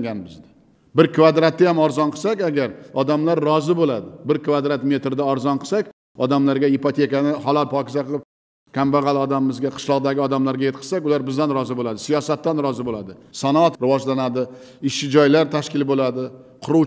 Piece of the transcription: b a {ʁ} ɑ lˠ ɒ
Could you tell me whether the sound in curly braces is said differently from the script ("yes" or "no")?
no